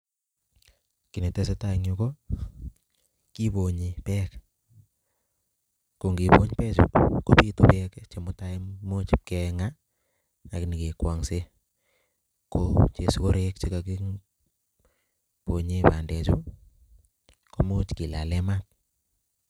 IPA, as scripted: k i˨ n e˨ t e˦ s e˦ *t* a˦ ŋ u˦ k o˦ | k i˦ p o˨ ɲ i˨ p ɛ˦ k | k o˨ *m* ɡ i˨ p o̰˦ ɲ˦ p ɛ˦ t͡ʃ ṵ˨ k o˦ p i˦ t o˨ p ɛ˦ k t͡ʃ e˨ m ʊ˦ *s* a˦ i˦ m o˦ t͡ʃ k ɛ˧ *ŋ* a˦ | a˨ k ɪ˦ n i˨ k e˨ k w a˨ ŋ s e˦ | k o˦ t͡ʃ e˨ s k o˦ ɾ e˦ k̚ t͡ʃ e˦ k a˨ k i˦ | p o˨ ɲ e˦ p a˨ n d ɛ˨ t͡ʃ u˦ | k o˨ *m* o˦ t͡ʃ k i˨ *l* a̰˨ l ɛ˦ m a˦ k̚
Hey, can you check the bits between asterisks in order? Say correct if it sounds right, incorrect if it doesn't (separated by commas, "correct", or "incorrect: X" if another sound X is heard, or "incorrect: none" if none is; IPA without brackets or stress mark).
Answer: correct, incorrect: ŋ, incorrect: t, correct, correct, correct